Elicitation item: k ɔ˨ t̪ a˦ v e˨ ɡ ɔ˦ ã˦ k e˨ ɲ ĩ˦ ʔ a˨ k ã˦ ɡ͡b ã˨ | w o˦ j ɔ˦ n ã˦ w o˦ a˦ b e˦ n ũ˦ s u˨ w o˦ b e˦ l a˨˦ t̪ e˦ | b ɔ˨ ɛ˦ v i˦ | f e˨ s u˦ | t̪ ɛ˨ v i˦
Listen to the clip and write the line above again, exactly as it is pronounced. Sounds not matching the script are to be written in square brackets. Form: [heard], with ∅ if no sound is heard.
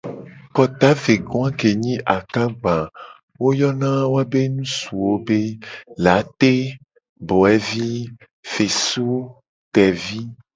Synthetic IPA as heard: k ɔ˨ t̪ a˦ v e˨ ɡ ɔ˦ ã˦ k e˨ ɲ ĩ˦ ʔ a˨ k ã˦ ɡ͡b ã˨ | w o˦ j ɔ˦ n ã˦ w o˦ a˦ b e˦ n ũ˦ s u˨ w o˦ b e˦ l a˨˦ t̪ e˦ | b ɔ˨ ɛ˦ v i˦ | f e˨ s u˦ | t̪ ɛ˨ v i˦